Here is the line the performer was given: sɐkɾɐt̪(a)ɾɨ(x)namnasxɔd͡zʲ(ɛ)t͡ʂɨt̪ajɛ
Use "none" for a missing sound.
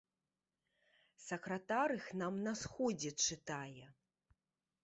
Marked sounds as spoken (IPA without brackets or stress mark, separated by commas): a, x, ɛ